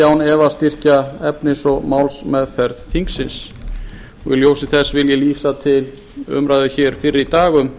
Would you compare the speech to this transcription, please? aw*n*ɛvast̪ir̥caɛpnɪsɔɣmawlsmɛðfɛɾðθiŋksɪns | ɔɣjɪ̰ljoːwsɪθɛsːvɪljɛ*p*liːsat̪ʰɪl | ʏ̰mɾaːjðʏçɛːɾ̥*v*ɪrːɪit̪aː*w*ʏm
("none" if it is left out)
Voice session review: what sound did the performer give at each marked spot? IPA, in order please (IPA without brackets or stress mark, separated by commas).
n, none, f, ɣ